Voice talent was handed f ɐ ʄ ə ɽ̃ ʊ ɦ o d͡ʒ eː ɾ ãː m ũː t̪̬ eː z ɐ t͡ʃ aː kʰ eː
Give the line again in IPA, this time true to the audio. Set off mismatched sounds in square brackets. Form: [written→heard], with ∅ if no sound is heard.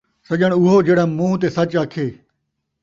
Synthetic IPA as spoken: [f→s] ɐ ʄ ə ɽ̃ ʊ ɦ o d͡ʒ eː [ɾ→ɽ] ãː m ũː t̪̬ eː [z→s] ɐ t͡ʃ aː kʰ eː